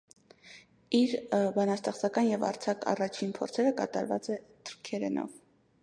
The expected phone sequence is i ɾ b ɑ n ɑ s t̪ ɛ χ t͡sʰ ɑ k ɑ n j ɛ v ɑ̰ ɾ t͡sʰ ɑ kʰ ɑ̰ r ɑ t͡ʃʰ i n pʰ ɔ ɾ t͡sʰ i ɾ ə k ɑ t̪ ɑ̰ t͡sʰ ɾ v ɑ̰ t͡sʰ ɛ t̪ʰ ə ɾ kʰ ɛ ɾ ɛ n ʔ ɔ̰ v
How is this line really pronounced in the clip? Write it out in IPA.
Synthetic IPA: i ɾ b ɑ n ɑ s t̪ ɛ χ t͡s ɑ k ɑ n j ɛ v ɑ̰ ɾ t͡sʰ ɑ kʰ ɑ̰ r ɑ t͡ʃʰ i n pʰ ɔ ɾ t͡sʰ ɛ ɾ ə k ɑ t̪ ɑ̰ ɾ v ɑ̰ t͡s ɛ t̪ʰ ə ɾ kʰ ɛ ɾ ɛ n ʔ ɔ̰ v